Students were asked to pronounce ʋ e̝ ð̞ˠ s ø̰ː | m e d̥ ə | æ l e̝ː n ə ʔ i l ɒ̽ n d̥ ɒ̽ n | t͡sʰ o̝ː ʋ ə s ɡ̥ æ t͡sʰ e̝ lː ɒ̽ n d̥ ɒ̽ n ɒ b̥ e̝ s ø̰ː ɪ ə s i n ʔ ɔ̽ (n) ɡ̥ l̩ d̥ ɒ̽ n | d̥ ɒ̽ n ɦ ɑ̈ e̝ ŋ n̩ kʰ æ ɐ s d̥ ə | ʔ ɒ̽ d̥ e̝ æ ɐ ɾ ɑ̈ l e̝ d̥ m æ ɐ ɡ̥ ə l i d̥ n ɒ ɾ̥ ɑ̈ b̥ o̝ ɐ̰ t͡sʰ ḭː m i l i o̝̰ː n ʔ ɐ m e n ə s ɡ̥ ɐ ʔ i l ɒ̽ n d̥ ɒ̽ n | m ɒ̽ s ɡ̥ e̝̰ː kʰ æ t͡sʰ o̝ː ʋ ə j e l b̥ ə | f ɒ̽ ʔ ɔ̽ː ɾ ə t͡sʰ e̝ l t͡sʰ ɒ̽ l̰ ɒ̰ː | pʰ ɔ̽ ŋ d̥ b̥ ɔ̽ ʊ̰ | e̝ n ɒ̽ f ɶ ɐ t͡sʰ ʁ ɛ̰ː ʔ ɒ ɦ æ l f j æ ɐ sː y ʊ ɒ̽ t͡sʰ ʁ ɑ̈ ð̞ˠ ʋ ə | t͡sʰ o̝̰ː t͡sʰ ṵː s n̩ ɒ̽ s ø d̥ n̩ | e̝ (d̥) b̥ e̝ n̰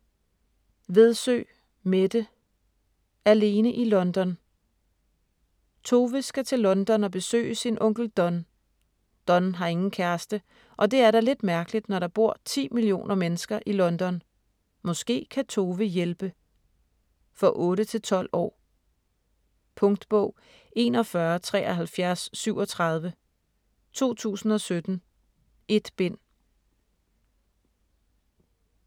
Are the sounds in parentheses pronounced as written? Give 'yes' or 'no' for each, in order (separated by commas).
no, yes